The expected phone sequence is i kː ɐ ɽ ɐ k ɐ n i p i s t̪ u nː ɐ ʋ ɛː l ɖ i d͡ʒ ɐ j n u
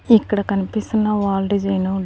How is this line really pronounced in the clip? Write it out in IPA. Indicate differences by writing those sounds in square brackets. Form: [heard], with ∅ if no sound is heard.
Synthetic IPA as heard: i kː ɐ ɽ ɐ k ɐ n i p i s t̪ u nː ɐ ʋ [aː] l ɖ i d͡ʒ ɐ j n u